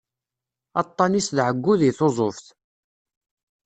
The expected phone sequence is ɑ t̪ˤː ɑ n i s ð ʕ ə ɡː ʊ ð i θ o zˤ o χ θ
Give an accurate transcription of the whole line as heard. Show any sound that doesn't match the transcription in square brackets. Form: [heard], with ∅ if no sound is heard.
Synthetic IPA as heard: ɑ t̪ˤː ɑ n i s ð ʕ ə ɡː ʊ ð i θ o zˤ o [f] θ